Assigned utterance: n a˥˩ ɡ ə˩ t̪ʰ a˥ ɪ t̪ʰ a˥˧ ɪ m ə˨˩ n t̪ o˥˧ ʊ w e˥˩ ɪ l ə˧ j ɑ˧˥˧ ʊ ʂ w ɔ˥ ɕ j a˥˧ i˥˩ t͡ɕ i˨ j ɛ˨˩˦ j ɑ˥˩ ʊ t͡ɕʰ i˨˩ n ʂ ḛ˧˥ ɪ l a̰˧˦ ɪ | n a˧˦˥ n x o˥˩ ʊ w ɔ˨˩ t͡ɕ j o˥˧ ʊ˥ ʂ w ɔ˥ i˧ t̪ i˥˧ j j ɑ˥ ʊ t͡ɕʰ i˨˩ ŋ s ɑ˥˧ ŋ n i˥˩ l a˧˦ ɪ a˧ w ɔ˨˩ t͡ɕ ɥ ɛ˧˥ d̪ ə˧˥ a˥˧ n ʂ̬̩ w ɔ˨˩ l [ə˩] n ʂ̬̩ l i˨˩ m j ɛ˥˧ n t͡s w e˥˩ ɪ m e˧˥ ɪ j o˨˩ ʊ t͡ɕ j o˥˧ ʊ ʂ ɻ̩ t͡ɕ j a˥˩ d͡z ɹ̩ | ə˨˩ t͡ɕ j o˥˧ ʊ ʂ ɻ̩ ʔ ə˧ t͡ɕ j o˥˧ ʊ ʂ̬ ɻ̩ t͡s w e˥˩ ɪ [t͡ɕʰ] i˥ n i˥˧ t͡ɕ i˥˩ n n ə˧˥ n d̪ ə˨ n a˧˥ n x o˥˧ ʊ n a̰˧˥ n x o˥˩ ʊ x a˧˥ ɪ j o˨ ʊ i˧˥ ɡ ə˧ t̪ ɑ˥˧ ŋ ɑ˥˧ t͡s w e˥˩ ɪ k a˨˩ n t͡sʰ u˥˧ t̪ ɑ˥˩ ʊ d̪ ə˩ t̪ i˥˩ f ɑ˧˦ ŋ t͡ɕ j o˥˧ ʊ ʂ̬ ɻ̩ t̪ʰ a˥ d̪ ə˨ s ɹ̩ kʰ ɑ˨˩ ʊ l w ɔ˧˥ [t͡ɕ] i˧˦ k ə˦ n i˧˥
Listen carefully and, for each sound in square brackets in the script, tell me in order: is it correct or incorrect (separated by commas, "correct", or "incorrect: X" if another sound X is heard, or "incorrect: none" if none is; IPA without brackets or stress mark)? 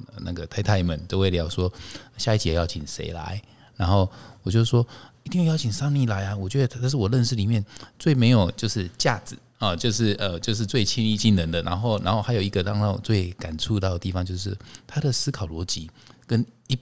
incorrect: ə˥˧, correct, correct